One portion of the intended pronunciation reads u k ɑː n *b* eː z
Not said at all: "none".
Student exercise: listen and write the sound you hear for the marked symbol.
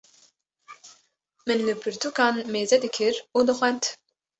m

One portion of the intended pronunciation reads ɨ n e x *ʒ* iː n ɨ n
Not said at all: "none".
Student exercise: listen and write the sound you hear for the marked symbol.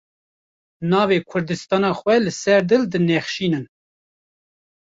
ʃ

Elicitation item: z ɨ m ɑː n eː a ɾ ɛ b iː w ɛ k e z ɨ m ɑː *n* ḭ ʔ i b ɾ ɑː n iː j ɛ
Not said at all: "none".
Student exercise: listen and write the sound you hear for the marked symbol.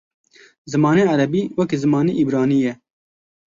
n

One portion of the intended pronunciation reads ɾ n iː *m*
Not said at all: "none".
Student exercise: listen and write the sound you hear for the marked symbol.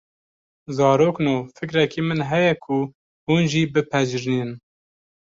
n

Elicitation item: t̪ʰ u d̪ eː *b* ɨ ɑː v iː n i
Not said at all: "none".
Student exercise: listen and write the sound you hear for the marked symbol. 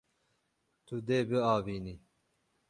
b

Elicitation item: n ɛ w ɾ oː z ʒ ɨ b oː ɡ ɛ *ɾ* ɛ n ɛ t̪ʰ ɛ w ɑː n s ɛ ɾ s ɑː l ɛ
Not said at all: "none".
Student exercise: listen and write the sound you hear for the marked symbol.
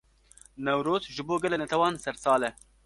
l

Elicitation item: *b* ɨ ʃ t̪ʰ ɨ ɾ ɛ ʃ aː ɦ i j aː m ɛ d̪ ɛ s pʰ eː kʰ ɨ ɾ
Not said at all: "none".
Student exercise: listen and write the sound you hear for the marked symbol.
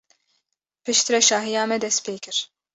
p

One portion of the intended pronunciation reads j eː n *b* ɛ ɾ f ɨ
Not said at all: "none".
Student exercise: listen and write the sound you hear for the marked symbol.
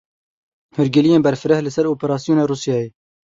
b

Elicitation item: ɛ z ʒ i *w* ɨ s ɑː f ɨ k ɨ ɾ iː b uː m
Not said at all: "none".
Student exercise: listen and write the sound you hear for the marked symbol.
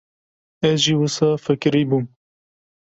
w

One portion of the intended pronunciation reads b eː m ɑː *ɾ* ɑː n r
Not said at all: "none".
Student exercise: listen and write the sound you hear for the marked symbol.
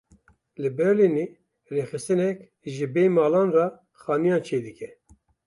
l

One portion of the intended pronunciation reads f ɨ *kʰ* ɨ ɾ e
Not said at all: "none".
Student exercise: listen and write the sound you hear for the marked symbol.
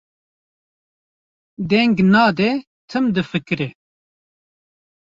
k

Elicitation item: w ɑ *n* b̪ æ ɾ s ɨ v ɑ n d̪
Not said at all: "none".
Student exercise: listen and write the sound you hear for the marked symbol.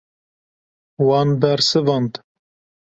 n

